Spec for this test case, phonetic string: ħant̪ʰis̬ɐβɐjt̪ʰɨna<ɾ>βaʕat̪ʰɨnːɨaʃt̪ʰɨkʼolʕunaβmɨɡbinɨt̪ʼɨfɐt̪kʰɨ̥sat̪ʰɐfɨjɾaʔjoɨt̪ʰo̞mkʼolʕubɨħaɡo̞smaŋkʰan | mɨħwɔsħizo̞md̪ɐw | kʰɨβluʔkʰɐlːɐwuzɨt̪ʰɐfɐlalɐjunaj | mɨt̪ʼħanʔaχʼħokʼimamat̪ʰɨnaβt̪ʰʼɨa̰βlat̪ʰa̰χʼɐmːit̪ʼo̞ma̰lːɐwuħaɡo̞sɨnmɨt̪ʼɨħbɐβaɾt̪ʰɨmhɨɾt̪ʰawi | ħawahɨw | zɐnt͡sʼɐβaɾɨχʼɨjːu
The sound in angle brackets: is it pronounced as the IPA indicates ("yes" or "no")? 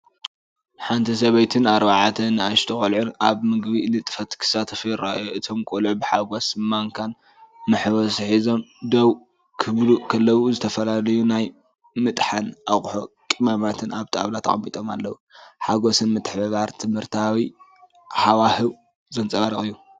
yes